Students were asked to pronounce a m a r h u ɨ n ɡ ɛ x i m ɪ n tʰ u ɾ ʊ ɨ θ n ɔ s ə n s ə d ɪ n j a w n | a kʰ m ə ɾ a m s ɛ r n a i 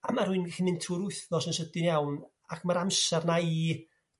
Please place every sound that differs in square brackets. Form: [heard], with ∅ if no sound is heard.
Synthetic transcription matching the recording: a m a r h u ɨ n ɡ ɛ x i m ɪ n tʰ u ɾ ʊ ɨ θ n ɔ s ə n s ə d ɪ n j a w n | a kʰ m [a] ɾ a m s ɛ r n a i

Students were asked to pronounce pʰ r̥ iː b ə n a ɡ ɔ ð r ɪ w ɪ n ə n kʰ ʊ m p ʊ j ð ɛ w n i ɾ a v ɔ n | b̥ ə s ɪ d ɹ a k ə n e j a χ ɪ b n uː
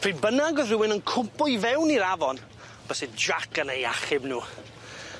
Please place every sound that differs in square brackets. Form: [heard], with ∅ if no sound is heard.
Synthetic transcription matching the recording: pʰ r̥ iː b ə n a ɡ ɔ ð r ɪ w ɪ n ə n kʰ ʊ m p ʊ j [v] ɛ w n i ɾ a v ɔ n | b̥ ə s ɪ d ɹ a k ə n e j a χ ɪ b n uː

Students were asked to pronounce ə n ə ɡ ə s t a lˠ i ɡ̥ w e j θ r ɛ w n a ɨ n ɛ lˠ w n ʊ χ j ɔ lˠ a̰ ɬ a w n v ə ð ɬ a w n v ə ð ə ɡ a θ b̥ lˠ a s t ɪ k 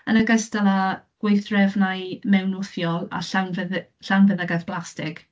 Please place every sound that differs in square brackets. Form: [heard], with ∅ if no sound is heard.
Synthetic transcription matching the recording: ə n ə ɡ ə s t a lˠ [a] ɡ̥ w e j θ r ɛ [v] n a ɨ [m] ɛ [∅] w n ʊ [θ] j ɔ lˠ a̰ ɬ a w n v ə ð ɬ a w n v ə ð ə ɡ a θ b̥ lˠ a s t ɪ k

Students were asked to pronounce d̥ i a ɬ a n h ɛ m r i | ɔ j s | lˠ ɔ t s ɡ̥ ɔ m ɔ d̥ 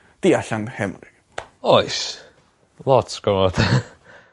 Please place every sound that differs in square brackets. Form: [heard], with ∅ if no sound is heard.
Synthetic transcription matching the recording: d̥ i a ɬ a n h ɛ m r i | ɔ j s | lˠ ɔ t s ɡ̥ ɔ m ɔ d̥

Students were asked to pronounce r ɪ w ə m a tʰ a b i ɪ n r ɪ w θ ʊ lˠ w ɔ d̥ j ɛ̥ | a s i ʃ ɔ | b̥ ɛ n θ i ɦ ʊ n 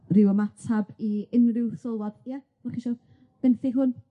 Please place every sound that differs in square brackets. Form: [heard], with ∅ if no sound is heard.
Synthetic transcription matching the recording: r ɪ w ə m a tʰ a b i ɪ n r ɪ w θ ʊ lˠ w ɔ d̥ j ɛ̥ | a [χ] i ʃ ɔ | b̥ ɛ n θ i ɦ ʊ n

